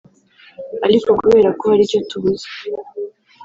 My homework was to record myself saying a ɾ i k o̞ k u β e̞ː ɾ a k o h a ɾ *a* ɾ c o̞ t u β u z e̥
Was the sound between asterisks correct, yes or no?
no